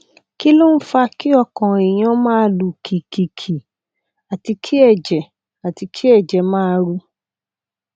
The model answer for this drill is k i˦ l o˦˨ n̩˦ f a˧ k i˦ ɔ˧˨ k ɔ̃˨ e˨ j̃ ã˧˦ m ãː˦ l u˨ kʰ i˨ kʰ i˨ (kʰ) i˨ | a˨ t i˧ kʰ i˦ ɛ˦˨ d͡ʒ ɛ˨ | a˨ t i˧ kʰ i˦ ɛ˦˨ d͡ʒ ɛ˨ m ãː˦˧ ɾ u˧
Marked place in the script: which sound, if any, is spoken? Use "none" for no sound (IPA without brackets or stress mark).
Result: kʰ